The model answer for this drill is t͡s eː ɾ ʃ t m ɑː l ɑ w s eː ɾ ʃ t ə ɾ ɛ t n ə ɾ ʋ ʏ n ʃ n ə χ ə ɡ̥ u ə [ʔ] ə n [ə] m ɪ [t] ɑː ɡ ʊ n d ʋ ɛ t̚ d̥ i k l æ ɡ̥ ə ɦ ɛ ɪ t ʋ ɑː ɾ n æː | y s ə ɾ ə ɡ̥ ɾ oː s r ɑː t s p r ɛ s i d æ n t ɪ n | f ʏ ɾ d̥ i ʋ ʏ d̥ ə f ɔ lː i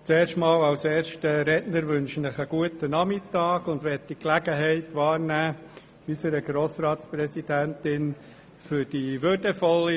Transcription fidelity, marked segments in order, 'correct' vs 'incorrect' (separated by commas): incorrect, incorrect, correct